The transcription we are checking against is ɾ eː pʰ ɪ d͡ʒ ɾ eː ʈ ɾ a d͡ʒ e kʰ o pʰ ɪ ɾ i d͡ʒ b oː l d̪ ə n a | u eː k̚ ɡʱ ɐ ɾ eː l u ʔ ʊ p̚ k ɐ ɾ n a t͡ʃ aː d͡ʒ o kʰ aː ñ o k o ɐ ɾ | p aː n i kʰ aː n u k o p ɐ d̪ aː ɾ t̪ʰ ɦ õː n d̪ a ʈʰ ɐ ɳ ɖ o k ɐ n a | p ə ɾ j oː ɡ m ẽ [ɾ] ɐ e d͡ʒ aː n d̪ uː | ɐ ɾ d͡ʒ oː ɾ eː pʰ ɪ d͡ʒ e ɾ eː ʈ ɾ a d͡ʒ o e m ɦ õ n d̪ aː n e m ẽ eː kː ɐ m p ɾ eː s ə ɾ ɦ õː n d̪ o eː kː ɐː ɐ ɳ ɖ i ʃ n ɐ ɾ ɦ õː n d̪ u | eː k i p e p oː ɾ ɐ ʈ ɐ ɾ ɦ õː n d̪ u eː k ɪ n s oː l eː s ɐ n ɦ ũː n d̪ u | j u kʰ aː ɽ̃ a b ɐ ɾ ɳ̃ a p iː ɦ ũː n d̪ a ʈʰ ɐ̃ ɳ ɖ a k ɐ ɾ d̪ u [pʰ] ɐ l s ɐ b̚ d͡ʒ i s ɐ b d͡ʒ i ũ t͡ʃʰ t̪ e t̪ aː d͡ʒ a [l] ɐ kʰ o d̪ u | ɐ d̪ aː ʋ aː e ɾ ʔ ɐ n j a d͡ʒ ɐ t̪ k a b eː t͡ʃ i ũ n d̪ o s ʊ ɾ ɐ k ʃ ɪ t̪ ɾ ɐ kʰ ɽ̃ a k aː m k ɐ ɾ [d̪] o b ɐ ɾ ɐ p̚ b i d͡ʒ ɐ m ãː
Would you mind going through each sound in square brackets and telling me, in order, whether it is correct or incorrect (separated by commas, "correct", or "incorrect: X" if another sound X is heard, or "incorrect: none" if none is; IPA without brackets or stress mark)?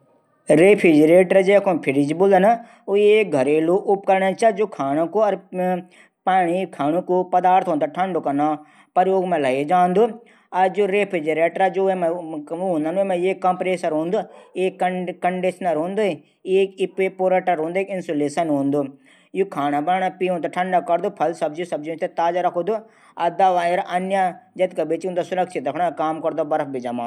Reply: incorrect: l, correct, incorrect: ɾ, correct